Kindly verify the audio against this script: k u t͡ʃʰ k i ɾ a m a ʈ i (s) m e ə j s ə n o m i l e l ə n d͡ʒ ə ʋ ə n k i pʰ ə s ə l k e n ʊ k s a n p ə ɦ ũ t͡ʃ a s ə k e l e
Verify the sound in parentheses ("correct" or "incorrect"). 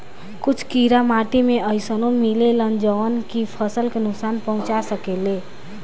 incorrect